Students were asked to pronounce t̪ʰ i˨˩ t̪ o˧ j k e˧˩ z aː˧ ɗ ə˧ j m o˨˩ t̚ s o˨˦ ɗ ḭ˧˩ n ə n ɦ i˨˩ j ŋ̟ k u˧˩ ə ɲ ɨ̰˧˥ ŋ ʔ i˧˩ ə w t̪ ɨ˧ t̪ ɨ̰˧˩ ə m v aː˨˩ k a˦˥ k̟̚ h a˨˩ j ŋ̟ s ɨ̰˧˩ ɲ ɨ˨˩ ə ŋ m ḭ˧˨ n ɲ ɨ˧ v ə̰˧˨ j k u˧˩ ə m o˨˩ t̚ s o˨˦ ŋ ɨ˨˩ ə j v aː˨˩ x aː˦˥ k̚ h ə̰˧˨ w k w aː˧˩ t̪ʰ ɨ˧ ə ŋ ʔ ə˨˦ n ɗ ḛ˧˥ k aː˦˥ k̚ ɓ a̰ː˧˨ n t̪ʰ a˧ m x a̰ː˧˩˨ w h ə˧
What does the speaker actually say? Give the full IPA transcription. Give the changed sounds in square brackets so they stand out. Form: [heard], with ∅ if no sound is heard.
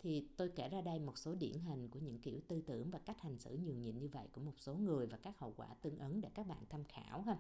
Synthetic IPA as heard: t̪ʰ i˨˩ t̪ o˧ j k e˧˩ z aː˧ ɗ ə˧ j m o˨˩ t̚ s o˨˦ ɗ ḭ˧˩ [∅] ə n ɦ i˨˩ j ŋ̟ k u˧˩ ə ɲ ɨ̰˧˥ ŋ [k] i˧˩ ə w t̪ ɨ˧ t̪ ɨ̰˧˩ ə [ŋ] v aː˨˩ k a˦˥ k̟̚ h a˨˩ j ŋ̟ s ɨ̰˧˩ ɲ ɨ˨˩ ə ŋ [ɲ] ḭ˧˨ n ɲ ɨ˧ v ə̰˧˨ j k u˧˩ ə m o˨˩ t̚ s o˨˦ ŋ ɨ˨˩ ə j v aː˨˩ [k] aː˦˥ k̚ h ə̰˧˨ w k w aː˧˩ [t̪] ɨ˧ ə ŋ ʔ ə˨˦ n ɗ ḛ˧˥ k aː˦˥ k̚ ɓ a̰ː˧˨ n t̪ʰ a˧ m x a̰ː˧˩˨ w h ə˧